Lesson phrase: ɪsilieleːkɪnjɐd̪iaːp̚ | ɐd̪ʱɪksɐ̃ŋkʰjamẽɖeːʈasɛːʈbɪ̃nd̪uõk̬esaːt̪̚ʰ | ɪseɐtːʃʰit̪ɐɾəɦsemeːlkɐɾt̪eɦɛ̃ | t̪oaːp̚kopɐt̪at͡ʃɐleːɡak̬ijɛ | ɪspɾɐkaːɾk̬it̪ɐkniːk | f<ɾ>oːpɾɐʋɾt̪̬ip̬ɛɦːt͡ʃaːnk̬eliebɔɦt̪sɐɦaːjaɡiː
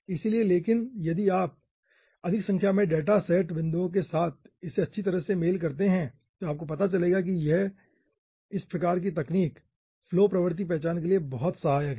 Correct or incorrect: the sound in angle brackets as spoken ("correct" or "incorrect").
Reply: incorrect